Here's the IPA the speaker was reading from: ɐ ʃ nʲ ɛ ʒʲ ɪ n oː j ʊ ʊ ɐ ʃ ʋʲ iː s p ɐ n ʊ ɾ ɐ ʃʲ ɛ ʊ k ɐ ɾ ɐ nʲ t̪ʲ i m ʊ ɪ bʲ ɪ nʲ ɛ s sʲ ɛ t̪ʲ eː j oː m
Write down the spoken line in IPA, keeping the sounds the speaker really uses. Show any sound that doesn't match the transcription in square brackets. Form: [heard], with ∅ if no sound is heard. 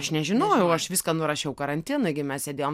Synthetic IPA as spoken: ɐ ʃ nʲ ɛ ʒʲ ɪ n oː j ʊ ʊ ɐ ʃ ʋʲ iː s [k] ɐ n ʊ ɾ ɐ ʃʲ ɛ ʊ k ɐ ɾ ɐ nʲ t̪ʲ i [n] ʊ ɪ [ɡʲ] ɪ [mʲ] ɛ s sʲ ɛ [d̪ʲ] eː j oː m